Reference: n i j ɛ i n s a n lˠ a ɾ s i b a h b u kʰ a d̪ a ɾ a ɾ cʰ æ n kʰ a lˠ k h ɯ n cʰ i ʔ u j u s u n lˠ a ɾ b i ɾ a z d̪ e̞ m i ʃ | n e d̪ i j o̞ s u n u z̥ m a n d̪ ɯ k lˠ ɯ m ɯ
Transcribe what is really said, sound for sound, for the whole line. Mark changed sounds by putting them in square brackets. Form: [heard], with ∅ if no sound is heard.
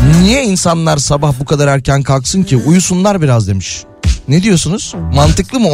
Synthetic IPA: n i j ɛ i n s a n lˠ a ɾ s [a] b a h b u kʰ a d̪ a ɾ [æ] ɾ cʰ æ n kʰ a lˠ k [s] ɯ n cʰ i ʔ u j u s u n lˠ a ɾ b i ɾ a z d̪ e̞ m i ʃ | n e d̪ i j o̞ s u n u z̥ m a n [t̪] ɯ k lˠ ɯ m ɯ